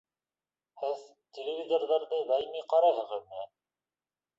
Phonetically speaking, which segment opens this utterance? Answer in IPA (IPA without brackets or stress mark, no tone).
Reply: h